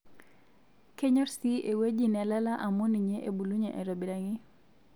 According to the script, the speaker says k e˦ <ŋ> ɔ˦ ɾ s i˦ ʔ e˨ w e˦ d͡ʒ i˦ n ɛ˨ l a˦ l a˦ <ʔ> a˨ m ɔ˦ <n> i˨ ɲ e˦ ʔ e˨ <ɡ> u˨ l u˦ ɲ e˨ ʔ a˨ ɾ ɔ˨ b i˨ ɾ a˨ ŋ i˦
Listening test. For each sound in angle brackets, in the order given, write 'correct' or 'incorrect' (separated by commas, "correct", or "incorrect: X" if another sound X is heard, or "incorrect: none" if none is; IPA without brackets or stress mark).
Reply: incorrect: ɲ, correct, correct, incorrect: b